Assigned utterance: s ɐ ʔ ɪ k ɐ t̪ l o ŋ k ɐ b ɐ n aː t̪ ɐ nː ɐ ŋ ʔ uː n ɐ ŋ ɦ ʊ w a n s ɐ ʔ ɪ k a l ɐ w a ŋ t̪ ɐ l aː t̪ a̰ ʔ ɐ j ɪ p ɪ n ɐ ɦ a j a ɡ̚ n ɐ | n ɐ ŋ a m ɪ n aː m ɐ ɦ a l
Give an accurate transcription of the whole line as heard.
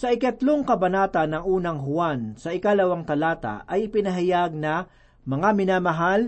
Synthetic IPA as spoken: s ɐ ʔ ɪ k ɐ t̪ l o ŋ k ɐ b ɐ n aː t̪ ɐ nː ɐ ŋ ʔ uː n ɐ ŋ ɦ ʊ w a n s ɐ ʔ ɪ k a l ɐ w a ŋ t̪ ɐ l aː t̪ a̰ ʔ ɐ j ɪ p ɪ n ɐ ɦ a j a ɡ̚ n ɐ | m ɐ ŋ a m ɪ n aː m ɐ ɦ a l